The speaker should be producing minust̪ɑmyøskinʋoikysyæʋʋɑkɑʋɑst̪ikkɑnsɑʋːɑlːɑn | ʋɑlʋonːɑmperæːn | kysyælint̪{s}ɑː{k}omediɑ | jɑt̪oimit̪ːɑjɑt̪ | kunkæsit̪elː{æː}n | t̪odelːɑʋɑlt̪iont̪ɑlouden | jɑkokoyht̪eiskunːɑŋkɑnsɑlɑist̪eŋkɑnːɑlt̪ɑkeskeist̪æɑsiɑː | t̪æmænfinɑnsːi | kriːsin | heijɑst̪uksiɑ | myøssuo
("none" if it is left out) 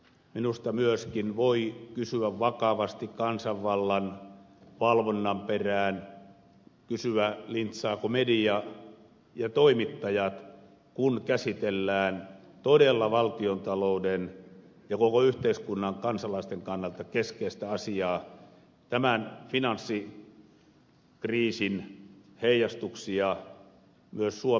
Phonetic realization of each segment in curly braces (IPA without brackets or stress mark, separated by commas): s, k, æː